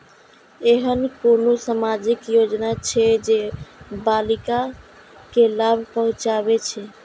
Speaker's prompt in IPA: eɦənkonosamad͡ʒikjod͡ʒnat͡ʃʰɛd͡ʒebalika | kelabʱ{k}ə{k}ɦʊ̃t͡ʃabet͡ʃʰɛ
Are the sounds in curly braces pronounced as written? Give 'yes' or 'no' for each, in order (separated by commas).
no, no